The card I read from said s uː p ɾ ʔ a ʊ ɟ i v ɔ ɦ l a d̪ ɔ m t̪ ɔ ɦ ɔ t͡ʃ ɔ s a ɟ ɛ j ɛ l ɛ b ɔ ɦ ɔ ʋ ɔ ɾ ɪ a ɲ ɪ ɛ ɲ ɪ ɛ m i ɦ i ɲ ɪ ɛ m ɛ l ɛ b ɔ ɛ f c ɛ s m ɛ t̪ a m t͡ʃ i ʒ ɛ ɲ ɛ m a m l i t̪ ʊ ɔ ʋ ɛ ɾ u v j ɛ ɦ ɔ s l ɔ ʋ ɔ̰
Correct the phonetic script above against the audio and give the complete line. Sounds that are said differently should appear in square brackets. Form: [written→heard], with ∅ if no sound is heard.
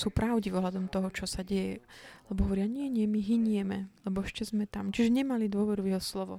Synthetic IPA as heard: s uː p ɾ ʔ a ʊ ɟ i v ɔ ɦ l a d̪ ɔ m t̪ ɔ ɦ ɔ t͡ʃ ɔ s a ɟ ɛ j ɛ l ɛ b ɔ ɦ ɔ ʋ ɔ ɾ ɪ a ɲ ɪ ɛ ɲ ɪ ɛ m i ɦ i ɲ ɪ ɛ m ɛ l ɛ b ɔ ɛ [f→ʃ] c ɛ [s→z] m ɛ t̪ a m t͡ʃ i ʒ ɛ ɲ ɛ m a [m→∅] l i [t̪→d̪] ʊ ɔ ʋ ɛ ɾ u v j ɛ ɦ ɔ s l ɔ ʋ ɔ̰